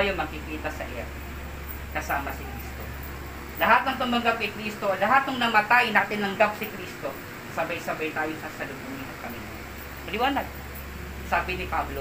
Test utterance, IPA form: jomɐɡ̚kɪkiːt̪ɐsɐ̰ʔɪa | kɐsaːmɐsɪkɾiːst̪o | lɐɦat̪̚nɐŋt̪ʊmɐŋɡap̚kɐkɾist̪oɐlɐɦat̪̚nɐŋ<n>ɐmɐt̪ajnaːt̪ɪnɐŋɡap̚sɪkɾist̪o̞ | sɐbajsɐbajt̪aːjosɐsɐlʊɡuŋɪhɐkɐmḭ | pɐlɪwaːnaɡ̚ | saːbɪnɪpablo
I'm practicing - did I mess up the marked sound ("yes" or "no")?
no